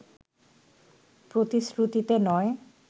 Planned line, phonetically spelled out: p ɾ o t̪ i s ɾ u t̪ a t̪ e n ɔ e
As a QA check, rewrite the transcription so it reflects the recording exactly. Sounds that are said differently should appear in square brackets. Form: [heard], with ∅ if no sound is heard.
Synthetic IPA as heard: p ɾ o t̪ i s ɾ u t̪ [i] t̪ e n ɔ e